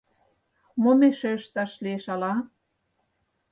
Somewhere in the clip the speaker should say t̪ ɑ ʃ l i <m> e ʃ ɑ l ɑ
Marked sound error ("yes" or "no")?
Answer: yes